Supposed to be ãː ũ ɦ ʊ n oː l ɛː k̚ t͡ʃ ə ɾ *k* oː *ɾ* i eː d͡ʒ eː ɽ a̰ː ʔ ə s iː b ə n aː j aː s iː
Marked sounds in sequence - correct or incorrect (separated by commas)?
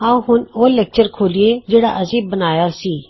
incorrect, incorrect